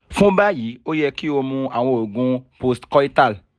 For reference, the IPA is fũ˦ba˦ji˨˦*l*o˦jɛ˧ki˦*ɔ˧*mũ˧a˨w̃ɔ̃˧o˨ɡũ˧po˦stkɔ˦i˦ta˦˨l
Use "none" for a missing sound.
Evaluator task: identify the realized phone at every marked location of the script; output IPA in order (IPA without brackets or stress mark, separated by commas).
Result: none, o˧